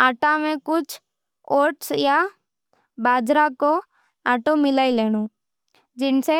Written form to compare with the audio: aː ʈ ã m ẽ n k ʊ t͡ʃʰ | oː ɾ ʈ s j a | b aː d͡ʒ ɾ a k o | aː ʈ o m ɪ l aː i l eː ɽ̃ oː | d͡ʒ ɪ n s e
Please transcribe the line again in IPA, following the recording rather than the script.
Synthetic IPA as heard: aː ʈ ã m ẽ k ʊ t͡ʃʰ | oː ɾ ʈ s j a | b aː d͡ʒ ɾ a k o | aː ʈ o m ɪ l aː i l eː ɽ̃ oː | d͡ʒ ɪ n s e